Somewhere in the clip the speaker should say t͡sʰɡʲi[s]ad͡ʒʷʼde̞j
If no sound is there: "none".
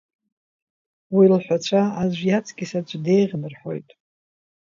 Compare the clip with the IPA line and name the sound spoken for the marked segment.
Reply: s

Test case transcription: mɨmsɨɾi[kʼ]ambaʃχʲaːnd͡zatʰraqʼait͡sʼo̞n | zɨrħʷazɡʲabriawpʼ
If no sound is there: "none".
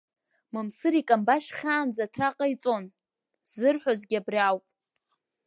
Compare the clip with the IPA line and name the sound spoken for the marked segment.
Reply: kʼ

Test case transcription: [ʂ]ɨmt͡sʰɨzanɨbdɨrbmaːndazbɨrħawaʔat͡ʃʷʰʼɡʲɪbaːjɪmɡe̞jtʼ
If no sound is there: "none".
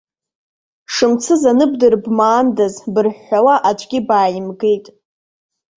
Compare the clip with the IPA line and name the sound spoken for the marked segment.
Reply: ʂ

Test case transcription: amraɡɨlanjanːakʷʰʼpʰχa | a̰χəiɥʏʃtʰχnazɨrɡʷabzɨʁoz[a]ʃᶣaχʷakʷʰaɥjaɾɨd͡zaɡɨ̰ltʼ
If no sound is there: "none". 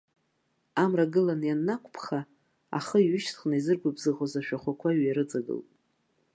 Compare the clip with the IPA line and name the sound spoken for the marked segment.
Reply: a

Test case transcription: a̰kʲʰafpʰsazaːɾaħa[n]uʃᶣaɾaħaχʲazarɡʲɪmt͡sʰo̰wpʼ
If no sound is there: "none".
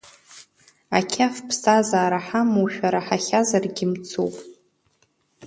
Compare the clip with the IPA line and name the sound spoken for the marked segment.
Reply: m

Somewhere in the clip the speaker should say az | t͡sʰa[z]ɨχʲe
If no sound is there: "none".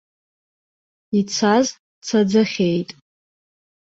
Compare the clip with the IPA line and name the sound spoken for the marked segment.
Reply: d͡z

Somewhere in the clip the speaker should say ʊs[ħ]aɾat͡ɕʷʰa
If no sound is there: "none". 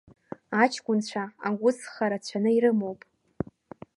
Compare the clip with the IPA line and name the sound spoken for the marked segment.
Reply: χ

